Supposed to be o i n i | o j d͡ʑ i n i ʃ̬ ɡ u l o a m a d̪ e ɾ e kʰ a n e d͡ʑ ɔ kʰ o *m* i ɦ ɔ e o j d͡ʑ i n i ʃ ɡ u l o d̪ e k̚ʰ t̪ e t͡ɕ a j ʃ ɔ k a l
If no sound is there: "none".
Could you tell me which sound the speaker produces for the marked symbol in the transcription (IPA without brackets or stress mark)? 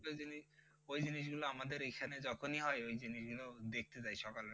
n